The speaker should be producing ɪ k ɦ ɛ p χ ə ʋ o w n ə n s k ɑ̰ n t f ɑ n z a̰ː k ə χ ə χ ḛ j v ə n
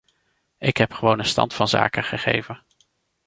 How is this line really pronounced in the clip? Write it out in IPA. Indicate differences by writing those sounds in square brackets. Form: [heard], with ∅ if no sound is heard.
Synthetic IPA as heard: ɪ k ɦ ɛ p χ ə ʋ o w n ə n s [t] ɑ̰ n t f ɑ n z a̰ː k ə χ ə χ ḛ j v ə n

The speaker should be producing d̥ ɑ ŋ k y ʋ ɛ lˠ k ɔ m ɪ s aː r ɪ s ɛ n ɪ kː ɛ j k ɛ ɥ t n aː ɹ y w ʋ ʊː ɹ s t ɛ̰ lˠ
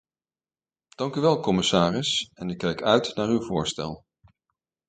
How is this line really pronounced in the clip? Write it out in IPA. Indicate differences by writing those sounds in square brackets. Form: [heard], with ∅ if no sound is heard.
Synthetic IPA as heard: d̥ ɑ ŋ k y ʋ ɛ lˠ k ɔ m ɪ s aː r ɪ s ɛ n ɪ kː ɛ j k [œ] ɥ t n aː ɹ y w [v] ʊː ɹ s t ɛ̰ lˠ

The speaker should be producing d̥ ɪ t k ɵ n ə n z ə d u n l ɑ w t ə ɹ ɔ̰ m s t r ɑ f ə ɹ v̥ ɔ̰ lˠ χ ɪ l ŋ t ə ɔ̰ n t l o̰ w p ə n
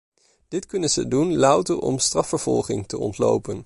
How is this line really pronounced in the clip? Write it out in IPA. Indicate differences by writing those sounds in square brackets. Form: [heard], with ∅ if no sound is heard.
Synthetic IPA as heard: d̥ ɪ t k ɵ n ə n z ə d u n l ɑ w t ə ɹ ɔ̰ m s t r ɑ f ə ɹ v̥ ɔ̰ lˠ χ ɪ [∅] ŋ t ə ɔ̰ n t l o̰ w p ə n

